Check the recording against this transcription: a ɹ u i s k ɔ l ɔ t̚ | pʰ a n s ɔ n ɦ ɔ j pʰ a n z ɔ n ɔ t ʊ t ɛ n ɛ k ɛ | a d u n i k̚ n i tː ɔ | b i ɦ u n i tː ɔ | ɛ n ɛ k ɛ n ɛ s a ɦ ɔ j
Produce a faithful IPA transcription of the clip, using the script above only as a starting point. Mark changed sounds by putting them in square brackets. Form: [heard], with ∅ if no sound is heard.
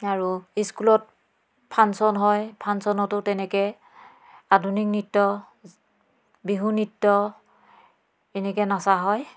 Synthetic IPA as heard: a ɹ u i s k [u] l ɔ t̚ | pʰ a n s ɔ n ɦ ɔ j pʰ a n [s] ɔ n ɔ t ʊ t ɛ n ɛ k ɛ | a d u n i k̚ n i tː ɔ | b i ɦ u n i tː ɔ | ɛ n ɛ k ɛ n [a] s a ɦ ɔ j